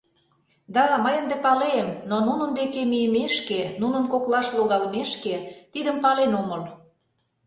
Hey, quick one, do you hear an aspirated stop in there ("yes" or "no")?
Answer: no